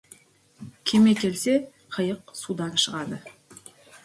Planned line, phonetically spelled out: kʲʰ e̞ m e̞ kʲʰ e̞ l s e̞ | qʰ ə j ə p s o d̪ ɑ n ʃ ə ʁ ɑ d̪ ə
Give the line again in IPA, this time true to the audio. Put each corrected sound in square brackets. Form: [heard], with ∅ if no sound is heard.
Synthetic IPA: kʲʰ e̞ m e̞ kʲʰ e̞ l s e̞ | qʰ ə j ə [q] s [u] d̪ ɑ n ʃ ə ʁ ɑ d̪ ə

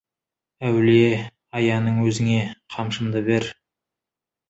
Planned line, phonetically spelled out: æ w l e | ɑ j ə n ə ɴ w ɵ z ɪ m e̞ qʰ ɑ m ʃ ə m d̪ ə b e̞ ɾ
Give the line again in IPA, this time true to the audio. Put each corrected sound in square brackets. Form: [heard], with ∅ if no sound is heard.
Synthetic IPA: æ w l e | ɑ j [ɑ] n ə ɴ w ɵ z ɪ [ŋ] e̞ qʰ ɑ m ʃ ə m d̪ ə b e̞ ɾ

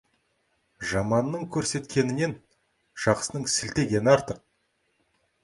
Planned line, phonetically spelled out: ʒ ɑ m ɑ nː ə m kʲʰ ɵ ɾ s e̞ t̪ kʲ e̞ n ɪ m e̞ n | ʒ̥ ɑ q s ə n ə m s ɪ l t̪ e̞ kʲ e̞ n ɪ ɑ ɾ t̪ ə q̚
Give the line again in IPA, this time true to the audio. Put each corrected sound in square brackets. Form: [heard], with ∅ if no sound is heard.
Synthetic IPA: ʒ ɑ m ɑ nː ə [ɴ] kʲʰ ɵ ɾ s e̞ t̪ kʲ e̞ n ɪ [n] e̞ n | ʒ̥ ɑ q s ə n ə [ɴ] s ɪ l t̪ e̞ [ɡʲ] e̞ n ɪ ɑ ɾ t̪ ə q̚

